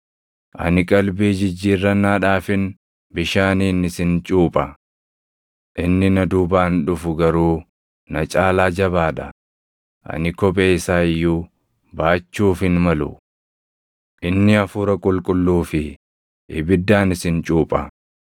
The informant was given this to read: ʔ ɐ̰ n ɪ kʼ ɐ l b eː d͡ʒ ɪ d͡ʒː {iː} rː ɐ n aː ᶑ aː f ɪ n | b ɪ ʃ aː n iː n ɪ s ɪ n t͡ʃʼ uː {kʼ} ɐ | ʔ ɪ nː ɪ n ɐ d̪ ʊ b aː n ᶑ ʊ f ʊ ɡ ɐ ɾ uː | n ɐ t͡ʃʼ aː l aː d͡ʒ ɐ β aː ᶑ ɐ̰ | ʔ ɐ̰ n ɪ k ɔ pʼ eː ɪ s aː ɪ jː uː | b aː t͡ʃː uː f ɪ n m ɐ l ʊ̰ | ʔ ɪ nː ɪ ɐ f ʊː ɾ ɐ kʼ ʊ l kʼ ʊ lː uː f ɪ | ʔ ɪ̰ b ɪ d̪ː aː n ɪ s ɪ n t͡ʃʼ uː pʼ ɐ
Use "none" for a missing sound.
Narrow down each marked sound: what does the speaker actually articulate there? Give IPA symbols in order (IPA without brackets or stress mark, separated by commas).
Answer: iː, pʼ